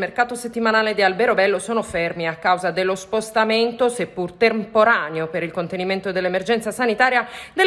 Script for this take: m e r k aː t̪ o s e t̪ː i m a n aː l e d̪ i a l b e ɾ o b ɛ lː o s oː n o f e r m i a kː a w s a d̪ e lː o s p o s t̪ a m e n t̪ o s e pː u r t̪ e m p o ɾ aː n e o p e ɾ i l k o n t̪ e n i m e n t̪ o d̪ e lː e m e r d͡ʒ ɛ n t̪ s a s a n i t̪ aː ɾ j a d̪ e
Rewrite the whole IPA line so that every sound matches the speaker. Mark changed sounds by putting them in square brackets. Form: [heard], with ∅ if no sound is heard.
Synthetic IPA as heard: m e r k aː t̪ o s e t̪ː i m a n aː l e d̪ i a l b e ɾ o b ɛ lː o s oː n o f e r m i a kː a w [z] a d̪ e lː o s p o s t̪ a m e n t̪ o s e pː u r t̪ e m p o ɾ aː n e o p e ɾ i l k o n t̪ e n i m e n t̪ o d̪ e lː e m e r d͡ʒ ɛ n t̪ s a s a n i t̪ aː ɾ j a d̪ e